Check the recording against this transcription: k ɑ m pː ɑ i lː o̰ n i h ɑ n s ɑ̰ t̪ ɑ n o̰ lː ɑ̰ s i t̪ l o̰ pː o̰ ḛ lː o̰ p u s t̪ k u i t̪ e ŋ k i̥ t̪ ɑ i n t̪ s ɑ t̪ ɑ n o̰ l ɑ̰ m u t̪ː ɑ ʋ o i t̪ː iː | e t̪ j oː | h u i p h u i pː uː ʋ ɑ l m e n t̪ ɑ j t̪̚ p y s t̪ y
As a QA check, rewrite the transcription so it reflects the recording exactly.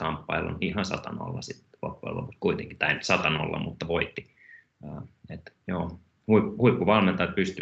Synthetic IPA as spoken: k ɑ m pː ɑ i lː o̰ n i h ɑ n s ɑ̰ t̪ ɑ n o̰ lː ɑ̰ s i t̪ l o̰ pː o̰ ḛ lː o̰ p u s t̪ k u i t̪ e ŋ k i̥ t̪ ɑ i n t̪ s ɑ t̪ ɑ n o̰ lː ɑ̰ m u t̪ː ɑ ʋ o i t̪ː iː | e t̪ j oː | h u i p h u i pː u ʋ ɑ l m e n t̪ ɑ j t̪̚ p y s t̪ y